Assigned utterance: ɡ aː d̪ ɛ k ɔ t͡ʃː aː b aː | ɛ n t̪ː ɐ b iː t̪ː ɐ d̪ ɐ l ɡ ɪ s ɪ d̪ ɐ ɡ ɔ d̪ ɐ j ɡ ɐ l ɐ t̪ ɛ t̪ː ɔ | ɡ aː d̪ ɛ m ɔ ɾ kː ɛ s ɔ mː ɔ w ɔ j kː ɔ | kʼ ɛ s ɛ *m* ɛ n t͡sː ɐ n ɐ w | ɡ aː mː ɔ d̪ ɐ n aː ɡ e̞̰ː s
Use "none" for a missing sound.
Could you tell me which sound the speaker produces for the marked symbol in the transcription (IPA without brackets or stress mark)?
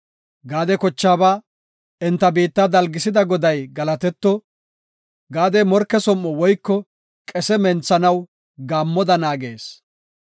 m